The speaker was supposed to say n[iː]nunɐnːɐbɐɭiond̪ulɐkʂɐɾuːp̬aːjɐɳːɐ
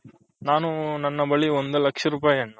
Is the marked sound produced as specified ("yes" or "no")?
no